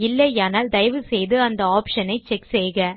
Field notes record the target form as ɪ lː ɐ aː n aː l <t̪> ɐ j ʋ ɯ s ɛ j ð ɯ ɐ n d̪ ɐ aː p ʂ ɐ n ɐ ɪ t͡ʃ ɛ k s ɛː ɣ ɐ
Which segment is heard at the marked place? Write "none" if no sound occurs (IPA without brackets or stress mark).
d̪